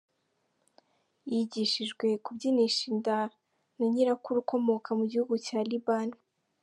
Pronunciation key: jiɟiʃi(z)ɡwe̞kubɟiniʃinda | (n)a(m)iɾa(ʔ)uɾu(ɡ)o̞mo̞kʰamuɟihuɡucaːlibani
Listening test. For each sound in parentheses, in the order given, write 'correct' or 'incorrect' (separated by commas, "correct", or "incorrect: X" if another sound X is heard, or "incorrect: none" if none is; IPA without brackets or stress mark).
incorrect: ʒ, correct, incorrect: ɲ, incorrect: k, incorrect: k